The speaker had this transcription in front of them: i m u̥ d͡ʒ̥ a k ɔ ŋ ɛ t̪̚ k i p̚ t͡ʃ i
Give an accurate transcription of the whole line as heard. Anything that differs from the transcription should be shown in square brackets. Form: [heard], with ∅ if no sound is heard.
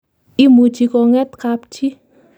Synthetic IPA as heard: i m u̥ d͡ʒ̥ [i] k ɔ ŋ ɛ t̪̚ k [a] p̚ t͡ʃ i

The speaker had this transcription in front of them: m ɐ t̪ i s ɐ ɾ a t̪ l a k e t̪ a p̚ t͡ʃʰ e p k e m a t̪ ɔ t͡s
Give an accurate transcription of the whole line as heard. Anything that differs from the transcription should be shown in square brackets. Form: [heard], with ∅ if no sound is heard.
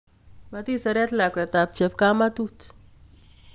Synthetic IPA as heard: m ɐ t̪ i s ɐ ɾ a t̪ l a k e t̪ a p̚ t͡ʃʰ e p k [a] m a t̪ [u] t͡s

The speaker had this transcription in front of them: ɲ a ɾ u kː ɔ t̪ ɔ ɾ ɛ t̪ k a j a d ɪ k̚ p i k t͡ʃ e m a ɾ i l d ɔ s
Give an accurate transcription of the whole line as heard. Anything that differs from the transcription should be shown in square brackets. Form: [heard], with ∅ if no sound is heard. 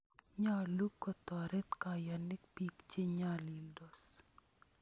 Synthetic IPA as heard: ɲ a [l] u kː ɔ t̪ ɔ ɾ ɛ t̪ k a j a [n] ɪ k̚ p i k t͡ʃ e [ɲ] a [l] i l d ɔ s

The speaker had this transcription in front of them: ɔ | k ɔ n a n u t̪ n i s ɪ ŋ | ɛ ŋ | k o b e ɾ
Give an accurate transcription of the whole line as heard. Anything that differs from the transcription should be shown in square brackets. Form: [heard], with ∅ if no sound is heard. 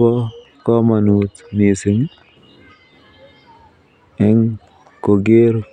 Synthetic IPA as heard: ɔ | k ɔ [m] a n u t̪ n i s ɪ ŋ | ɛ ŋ | k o [ɡ] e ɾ

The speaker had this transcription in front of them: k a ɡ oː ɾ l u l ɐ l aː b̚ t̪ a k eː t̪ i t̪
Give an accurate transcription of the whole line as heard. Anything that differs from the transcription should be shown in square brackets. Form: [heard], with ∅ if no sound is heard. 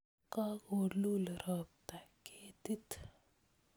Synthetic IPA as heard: k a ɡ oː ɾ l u l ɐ [ɾ] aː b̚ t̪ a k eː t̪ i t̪

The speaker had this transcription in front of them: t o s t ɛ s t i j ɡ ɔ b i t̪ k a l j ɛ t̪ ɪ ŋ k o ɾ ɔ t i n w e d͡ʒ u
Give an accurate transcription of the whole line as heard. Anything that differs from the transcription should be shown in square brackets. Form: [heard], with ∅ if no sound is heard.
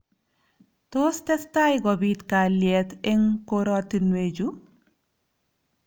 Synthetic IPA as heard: t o s t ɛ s t [a] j ɡ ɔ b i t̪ k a l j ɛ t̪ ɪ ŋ k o ɾ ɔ t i n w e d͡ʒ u

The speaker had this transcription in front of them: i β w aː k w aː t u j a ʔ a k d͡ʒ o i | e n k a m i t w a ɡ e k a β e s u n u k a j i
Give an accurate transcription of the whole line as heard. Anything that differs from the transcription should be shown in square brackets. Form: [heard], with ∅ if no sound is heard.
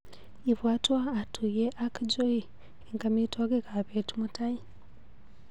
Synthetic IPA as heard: i β w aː [t] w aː t u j [e] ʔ a k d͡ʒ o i | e [ŋ] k a m i t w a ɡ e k a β e [t] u [m] u [t] a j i

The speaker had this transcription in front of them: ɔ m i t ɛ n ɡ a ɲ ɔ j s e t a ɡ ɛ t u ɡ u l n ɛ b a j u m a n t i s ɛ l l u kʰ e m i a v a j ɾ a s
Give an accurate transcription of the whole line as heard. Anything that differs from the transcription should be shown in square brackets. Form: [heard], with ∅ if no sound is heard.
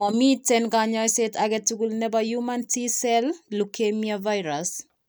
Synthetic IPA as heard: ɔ m i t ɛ n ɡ a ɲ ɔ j s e t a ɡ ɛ t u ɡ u l n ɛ b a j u m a n t i s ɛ l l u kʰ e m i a v a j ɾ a s

